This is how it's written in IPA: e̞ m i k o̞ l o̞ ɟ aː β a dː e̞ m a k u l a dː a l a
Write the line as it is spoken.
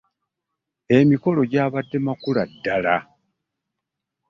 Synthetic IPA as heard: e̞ m i k o̞ l o̞ ɟ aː β a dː e̞ m a k u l a dː a l a